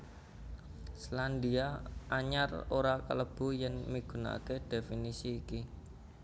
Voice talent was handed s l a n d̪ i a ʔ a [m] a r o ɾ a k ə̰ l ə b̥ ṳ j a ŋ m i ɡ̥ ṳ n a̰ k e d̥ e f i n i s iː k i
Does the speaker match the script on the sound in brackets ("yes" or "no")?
no